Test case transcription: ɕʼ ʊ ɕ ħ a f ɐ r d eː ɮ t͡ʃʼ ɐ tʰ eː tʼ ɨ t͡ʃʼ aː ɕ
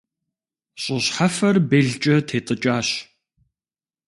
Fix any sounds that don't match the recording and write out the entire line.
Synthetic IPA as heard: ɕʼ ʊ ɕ ħ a f ɐ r b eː ɮ t͡ʃʼ ɐ tʰ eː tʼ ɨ t͡ʃʼ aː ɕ